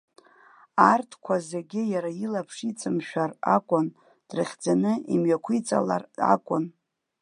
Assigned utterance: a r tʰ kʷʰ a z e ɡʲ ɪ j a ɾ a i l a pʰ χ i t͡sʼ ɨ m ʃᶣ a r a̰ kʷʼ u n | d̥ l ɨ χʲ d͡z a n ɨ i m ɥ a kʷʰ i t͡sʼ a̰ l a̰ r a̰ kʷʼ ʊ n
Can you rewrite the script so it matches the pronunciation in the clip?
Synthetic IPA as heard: a r tʰ kʷʰ a z e ɡʲ ɪ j a ɾ a i l a pʰ ʂ i t͡sʼ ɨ m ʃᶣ a r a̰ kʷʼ ʊ n | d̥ r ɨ χʲ d͡z a n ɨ i m ɥ a kʷʰ i t͡sʼ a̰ l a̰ r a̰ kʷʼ ʊ n